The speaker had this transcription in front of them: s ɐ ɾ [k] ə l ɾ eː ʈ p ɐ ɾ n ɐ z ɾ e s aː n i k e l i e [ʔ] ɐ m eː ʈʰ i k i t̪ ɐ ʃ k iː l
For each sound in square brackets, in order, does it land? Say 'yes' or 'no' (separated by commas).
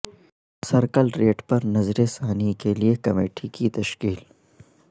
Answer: yes, no